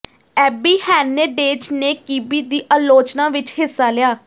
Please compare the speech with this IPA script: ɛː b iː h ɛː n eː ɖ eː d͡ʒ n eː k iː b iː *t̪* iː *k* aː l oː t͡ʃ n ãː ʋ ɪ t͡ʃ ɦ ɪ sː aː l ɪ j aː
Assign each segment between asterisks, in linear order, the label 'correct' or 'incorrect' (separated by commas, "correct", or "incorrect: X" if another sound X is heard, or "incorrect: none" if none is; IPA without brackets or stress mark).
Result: incorrect: d̪, incorrect: ʔ